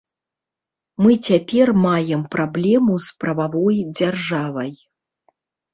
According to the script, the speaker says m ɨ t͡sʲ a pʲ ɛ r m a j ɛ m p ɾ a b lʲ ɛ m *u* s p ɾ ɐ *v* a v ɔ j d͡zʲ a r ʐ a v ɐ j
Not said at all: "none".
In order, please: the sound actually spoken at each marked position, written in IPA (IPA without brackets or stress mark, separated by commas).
u, v